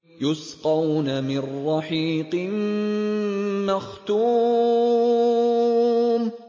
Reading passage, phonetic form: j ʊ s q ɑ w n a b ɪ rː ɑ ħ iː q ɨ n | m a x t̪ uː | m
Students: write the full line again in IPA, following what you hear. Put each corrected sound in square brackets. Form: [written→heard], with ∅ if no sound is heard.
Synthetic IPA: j ʊ s q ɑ w n a [b→m] ɪ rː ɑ ħ iː q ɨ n | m a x t̪ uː | m